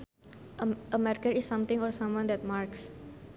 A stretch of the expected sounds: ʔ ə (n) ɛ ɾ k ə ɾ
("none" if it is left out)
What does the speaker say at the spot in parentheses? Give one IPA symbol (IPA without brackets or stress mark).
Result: m